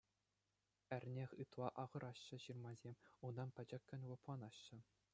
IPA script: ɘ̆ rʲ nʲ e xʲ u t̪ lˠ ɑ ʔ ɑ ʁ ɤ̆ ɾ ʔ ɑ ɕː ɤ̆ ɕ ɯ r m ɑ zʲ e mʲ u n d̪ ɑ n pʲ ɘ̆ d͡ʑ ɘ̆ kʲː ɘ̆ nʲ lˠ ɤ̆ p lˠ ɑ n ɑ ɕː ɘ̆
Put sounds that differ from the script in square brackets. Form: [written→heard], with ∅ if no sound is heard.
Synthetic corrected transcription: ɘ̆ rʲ nʲ e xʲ [u→ɯ] t̪ lˠ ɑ ʔ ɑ ʁ ɤ̆ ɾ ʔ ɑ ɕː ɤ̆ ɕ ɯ r m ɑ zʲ e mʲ u n d̪ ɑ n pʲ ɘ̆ d͡ʑ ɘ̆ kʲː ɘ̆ nʲ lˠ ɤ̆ p lˠ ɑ n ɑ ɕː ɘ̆